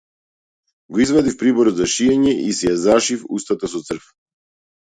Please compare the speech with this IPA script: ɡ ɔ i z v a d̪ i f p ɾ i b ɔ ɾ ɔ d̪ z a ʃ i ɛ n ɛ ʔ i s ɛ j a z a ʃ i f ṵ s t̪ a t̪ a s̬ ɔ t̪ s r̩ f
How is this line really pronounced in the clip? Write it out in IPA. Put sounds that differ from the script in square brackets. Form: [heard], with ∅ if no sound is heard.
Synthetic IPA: ɡ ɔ i z v a d̪ i f p ɾ i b ɔ ɾ ɔ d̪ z a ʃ i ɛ [ɲ] ɛ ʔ i s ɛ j a z a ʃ i f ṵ s t̪ a t̪ a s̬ ɔ t̪ s r̩ f